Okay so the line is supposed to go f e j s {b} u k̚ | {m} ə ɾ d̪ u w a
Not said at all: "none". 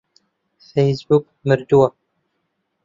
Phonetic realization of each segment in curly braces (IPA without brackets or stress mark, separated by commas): b, m